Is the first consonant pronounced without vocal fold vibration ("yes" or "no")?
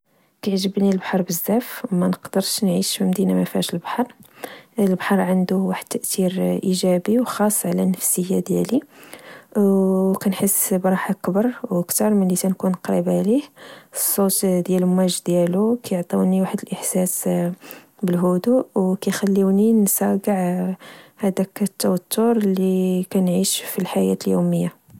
yes